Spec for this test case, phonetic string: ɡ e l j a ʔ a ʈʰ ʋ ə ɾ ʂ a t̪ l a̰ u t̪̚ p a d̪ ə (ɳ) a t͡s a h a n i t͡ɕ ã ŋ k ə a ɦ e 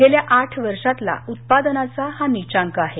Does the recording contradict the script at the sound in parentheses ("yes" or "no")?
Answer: yes